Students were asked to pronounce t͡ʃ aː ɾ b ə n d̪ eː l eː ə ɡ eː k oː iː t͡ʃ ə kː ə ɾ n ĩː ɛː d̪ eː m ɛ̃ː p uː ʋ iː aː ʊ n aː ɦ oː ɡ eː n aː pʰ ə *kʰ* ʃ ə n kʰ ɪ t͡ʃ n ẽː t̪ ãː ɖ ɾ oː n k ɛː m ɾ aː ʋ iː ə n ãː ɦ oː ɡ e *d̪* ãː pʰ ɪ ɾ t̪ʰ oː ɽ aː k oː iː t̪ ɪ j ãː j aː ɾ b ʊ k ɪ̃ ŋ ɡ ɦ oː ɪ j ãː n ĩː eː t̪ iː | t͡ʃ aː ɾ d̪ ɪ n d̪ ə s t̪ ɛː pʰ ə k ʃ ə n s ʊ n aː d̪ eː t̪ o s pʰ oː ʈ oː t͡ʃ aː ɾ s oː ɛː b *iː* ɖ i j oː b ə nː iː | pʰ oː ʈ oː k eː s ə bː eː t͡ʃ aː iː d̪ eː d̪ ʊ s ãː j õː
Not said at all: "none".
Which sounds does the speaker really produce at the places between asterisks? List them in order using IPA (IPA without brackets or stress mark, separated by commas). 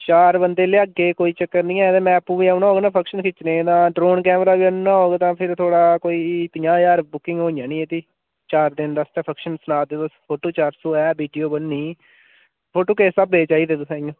k, t̪, iː